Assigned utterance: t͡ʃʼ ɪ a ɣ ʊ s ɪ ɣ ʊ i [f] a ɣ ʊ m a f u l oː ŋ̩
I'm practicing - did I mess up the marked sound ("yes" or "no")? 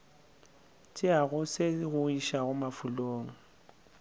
yes